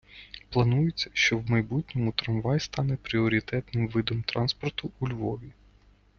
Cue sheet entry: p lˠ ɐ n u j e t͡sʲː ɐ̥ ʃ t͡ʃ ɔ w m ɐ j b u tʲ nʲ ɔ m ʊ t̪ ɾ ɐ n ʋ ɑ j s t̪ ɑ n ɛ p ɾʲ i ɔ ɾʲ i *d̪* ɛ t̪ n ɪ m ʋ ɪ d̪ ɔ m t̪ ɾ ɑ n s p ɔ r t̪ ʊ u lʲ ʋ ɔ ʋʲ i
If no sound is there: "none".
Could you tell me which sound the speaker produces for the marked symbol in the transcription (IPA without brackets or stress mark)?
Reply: t̪